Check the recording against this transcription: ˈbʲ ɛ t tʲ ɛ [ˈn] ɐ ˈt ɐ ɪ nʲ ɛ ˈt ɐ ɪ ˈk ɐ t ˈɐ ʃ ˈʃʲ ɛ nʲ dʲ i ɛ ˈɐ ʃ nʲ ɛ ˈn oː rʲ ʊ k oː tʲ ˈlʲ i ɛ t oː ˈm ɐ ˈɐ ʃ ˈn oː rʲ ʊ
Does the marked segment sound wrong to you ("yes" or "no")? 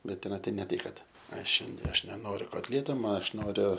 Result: no